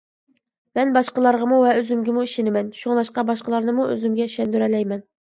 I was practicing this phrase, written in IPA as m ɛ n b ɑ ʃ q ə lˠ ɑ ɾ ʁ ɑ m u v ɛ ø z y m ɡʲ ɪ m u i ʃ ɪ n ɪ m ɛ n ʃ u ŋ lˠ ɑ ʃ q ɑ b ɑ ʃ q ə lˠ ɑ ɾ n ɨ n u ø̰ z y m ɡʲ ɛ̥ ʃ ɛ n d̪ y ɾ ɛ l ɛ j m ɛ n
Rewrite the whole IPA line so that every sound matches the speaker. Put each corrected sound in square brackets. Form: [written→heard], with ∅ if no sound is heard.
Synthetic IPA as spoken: m ɛ n b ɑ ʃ q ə lˠ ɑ ɾ ʁ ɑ m u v ɛ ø z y m ɡʲ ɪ m u i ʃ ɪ n ɪ m ɛ n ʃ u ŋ lˠ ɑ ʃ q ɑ b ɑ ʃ q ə lˠ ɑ ɾ n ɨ [n→m] u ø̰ z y m ɡʲ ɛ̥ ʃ ɛ n d̪ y ɾ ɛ l ɛ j m ɛ n